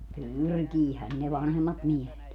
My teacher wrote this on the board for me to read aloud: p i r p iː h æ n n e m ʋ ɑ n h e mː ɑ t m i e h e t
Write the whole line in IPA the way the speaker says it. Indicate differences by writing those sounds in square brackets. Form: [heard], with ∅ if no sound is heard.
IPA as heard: p [y] r [k] iː h æ n n e [∅] ʋ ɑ n h e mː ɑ t m i e h e t